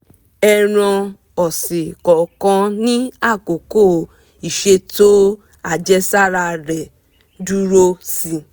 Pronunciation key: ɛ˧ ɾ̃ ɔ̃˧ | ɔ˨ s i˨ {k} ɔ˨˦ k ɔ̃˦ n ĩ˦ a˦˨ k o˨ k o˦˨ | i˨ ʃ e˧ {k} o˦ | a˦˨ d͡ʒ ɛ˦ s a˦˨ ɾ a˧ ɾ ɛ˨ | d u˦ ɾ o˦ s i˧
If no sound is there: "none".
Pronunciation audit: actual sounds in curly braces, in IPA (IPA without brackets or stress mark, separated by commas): k, t